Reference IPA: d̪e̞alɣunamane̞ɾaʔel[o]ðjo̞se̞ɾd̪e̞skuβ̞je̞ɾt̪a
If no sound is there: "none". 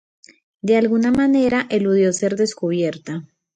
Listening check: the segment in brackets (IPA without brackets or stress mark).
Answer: u